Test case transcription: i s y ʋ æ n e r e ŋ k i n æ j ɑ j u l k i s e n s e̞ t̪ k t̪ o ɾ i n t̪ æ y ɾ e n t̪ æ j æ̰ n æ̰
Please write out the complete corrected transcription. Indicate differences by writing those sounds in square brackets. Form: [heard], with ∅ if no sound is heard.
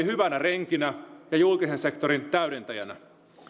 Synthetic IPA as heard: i [h] y ʋ æ n [æ] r e ŋ k i n æ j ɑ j u l k i s e n s e̞ [∅] k t̪ o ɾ i n t̪ æ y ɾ e n t̪ æ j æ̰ n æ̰